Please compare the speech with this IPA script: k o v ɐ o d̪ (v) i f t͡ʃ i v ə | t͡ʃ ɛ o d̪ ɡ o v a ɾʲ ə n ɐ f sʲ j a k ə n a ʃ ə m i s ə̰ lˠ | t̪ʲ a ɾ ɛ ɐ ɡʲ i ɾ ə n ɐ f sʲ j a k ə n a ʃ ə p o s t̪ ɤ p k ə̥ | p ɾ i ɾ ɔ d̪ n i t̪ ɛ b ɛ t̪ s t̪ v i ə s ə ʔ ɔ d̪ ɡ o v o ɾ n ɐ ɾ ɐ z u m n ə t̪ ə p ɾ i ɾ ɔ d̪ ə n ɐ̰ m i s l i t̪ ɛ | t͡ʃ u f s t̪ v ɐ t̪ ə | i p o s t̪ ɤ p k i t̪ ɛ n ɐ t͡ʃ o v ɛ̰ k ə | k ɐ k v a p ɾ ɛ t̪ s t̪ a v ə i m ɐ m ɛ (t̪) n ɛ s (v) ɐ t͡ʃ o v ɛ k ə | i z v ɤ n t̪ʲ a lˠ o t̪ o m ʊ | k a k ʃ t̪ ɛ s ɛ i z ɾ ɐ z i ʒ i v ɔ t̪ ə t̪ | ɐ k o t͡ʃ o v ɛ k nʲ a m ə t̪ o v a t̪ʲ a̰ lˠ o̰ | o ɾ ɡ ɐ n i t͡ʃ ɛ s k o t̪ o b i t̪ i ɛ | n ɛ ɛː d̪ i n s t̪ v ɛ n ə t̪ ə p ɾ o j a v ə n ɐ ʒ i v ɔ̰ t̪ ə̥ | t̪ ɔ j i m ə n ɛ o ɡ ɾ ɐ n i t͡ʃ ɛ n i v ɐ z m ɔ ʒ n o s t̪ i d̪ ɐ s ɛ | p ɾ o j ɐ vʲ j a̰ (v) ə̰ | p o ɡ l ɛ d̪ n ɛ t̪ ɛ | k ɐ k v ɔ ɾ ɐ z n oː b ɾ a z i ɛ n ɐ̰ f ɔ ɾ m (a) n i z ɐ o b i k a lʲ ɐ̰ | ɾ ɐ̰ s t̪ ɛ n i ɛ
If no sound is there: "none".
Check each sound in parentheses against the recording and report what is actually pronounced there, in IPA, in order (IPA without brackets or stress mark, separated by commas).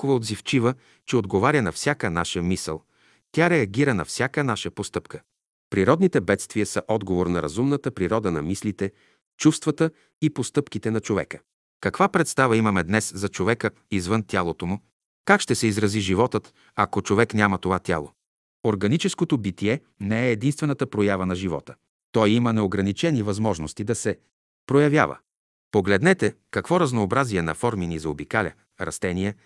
z, d̪, z, v, i